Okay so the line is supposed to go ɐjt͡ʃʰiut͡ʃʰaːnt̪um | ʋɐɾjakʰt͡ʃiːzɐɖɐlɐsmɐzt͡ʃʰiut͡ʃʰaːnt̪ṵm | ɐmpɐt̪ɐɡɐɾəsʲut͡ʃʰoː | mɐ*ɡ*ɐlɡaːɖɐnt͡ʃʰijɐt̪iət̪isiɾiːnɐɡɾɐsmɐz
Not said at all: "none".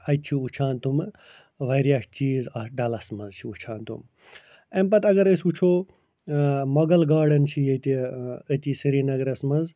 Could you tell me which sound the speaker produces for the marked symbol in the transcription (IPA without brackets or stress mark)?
ɡ